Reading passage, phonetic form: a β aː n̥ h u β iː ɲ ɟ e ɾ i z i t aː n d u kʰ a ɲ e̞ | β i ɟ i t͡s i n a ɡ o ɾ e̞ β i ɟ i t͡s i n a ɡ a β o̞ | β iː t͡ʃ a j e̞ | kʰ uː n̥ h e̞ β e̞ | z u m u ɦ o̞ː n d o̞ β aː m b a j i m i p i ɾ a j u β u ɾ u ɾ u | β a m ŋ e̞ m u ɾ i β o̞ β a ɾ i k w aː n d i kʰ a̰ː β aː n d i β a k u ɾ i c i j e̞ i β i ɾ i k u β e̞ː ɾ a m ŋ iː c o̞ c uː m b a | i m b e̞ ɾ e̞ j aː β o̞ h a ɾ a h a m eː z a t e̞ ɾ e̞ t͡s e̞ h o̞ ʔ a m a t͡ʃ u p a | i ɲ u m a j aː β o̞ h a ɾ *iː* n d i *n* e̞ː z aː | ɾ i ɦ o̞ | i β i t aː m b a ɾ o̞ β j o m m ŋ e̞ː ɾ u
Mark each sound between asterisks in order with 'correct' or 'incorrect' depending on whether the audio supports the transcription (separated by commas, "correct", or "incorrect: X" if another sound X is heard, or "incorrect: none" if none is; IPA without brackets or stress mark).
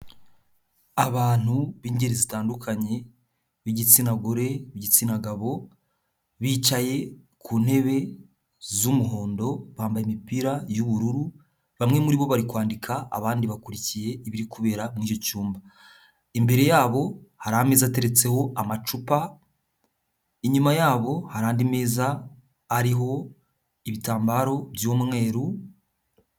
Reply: incorrect: aː, incorrect: m